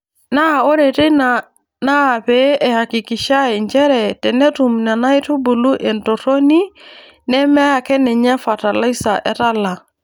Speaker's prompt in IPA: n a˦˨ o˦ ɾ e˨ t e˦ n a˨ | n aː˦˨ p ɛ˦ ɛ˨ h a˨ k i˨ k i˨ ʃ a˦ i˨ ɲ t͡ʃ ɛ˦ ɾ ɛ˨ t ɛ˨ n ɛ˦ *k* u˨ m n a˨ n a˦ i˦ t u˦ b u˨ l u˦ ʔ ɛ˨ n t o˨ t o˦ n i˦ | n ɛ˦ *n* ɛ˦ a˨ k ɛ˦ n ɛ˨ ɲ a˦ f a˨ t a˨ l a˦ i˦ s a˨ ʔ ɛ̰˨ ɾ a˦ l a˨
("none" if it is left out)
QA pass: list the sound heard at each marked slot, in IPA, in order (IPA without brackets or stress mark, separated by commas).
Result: t, m